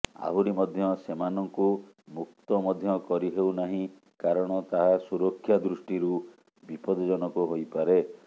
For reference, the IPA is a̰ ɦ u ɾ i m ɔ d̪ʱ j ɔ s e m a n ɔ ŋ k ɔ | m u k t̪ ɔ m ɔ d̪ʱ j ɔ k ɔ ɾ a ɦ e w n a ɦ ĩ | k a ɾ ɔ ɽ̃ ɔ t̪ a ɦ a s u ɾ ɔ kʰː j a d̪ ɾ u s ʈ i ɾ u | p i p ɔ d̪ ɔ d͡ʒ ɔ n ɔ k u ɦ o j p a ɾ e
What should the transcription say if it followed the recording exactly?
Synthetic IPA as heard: a̰ ɦ u ɾ i m ɔ d̪ʱ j ɔ s e m a n ɔ ŋ k u | m u k t̪ ɔ m ɔ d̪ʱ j ɔ k ɔ ɾ i ɦ e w n a ɦ ĩ | k a ɾ ɔ ɽ̃ ɔ t̪ a ɦ a s u ɾ ɔ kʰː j a d̪ ɾ u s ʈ i ɾ u | b i p ɔ d̪ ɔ d͡ʒ ɔ n ɔ k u ɦ o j p a ɾ e

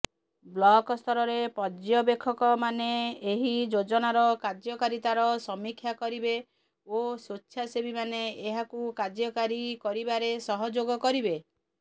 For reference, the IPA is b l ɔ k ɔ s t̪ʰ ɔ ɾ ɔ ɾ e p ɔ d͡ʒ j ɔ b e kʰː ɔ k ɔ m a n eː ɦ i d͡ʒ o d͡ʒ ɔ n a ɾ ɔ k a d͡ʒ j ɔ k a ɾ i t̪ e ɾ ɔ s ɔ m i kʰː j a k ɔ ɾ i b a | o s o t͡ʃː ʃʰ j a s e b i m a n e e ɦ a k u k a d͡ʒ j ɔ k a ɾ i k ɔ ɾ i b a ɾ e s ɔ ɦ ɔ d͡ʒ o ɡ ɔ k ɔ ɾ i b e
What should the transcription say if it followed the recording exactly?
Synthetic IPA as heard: b l ɔ k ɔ s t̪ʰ ɔ ɾ ɔ ɾ e p ɔ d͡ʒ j ɔ b e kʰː ɔ k ɔ m a n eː ɦ i d͡ʒ o d͡ʒ ɔ n a ɾ ɔ k a d͡ʒ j ɔ k a ɾ i t̪ a ɾ ɔ s ɔ m i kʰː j a k ɔ ɾ i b e | o s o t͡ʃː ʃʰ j a s e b i m a n e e ɦ a k u k a d͡ʒ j ɔ k a ɾ i k ɔ ɾ i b a ɾ e s ɔ ɦ ɔ d͡ʒ o ɡ ɔ k ɔ ɾ i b e

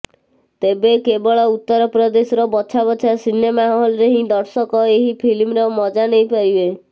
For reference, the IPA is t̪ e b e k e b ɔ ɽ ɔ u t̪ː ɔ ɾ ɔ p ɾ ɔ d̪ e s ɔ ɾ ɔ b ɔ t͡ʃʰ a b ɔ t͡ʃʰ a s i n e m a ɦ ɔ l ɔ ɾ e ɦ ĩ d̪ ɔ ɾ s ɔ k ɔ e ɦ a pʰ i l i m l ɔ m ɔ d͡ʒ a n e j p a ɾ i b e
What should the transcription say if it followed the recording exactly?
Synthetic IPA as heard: t̪ e b e k e b ɔ ɭ ɔ u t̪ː ɔ ɾ ɔ p ɾ ɔ d̪ e s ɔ ɾ ɔ b ɔ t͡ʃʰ a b ɔ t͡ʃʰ a s i n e m a ɦ ɔ l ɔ ɾ e ɦ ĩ d̪ ɔ ɾ s ɔ k ɔ e ɦ i pʰ i l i m ɾ ɔ m ɔ d͡ʒ a n e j p a ɾ i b e

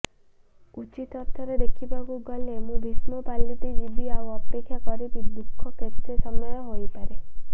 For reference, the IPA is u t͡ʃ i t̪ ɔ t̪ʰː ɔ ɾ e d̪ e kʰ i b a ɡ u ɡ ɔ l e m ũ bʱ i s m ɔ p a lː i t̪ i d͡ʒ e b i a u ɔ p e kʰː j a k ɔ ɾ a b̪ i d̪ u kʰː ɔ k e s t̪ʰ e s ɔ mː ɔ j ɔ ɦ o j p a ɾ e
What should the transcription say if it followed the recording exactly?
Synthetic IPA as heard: u t͡ʃ i t̪ ɔ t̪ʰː ɔ ɾ e d̪ e kʰ i b a ɡ u ɡ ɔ l e m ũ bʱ i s m ɔ p a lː i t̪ i d͡ʒ i b i a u ɔ p e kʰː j a k ɔ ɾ i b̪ i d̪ u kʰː ɔ k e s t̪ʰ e s ɔ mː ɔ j ɔ ɦ o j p a ɾ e

